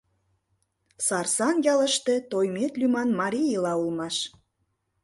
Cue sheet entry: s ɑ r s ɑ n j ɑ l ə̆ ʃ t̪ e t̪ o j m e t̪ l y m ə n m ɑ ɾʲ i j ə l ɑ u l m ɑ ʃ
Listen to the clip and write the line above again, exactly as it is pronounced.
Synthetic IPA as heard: s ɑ r s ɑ n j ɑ l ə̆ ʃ t̪ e t̪ o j m e t̪ l y m ɑ n m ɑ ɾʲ i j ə l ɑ u l m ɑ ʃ